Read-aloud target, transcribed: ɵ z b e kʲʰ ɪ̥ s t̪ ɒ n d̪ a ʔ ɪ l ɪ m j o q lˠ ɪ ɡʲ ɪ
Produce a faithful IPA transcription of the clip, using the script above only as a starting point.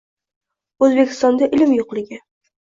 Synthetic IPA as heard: ɵ z b e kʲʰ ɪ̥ s t̪ ɒ n d̪ a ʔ ɪ l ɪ m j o q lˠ ɪ ɡʲ ɪ